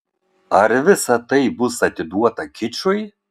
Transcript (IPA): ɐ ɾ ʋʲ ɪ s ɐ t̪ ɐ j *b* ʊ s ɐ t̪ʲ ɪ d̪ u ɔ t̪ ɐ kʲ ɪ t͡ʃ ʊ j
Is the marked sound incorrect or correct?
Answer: correct